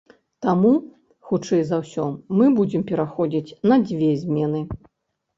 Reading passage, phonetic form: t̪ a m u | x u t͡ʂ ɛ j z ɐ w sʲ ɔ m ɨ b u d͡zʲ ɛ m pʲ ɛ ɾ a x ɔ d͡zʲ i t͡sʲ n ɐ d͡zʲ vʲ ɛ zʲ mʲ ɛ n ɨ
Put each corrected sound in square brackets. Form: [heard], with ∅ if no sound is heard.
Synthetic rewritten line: t̪ a m u | x u t͡ʂ ɛ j z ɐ w sʲ ɔ m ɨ b u d͡zʲ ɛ m pʲ ɛ ɾ a x ɔ d͡zʲ i t͡sʲ n ɐ d͡zʲ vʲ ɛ zʲ mʲ ɛ n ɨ